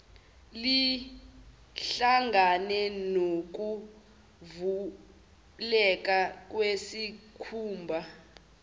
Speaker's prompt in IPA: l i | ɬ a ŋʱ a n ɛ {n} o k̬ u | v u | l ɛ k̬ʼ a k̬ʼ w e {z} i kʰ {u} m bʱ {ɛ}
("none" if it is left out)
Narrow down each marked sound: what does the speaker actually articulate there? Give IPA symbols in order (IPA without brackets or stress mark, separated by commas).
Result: n, s, uː, a